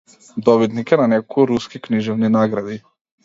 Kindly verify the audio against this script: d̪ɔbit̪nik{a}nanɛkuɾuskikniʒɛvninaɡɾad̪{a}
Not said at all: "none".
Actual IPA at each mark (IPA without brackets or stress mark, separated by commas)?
ɛ, i